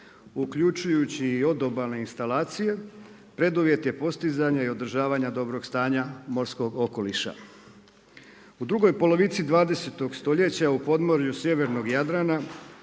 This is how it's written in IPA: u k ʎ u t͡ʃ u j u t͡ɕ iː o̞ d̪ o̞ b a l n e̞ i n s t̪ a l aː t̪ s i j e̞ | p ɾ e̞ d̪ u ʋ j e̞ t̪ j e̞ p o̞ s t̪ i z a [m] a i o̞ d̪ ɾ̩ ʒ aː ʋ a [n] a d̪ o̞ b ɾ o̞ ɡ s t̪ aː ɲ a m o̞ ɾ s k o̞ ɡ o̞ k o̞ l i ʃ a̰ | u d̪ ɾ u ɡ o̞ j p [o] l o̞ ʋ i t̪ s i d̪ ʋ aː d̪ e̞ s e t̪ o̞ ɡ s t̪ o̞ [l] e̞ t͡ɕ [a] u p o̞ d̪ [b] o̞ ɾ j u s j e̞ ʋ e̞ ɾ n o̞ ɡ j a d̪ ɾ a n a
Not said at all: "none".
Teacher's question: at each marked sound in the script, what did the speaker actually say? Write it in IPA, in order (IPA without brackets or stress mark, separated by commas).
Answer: ɲ, ɲ, o, ʎ, a, m